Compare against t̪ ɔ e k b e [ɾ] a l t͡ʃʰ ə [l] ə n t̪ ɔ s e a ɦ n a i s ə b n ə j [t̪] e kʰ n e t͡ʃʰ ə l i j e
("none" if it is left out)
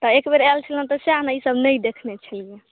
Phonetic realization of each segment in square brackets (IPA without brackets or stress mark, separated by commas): ɾ, l, d̪